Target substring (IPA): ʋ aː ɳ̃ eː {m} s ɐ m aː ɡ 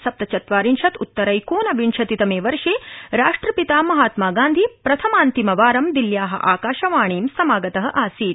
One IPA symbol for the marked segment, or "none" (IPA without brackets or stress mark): m